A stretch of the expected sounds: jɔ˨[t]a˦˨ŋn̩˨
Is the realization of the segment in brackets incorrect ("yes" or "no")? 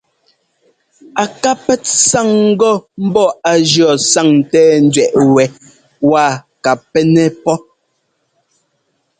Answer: yes